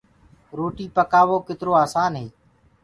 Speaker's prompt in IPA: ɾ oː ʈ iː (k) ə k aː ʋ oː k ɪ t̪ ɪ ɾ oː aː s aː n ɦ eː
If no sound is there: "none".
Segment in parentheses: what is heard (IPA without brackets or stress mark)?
p